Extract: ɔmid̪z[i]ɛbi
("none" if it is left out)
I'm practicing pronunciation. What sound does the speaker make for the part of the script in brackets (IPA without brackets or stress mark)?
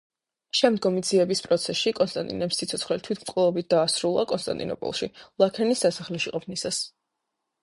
i